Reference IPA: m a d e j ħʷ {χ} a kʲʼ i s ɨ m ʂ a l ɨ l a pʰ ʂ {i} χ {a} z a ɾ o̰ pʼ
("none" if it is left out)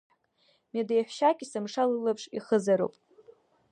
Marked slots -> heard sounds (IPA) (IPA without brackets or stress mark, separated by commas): ʃ, i, ə